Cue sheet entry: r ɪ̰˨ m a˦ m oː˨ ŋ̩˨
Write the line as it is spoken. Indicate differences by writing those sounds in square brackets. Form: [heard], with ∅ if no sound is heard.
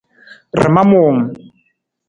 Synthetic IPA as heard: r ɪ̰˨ m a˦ m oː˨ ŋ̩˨